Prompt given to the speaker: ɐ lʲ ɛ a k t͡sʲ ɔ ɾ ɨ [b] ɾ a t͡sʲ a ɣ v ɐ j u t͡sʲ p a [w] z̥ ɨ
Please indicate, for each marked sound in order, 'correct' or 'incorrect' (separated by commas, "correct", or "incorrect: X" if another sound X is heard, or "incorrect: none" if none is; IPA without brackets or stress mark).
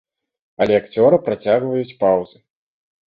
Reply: incorrect: p, correct